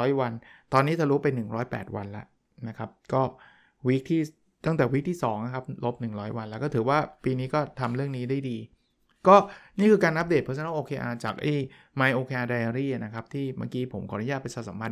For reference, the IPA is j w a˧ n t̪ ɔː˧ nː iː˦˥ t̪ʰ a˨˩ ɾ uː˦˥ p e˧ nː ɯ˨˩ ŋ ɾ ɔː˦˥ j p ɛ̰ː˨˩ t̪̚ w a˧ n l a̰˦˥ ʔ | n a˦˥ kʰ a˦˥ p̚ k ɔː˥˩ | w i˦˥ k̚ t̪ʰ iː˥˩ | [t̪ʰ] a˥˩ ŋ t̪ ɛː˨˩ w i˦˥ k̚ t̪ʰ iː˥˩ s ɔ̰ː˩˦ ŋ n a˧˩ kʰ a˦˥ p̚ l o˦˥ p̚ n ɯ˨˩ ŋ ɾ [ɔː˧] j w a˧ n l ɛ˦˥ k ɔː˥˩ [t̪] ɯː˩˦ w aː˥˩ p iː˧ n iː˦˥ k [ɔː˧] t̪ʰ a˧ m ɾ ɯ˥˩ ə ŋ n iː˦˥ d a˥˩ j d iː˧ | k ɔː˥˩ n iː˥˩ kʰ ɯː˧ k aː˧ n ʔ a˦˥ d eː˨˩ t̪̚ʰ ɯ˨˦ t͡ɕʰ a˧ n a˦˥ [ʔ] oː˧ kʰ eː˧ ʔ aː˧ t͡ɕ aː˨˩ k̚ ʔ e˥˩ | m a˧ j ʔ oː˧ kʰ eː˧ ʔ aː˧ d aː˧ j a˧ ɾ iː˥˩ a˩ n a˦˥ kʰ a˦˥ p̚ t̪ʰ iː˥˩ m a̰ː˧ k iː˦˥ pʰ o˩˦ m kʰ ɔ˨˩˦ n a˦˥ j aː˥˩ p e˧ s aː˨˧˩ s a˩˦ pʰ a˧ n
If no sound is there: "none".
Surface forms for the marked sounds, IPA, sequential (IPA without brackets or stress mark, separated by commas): t̪, ɔː˦˥, t̪, ɔː˥˩, ʔ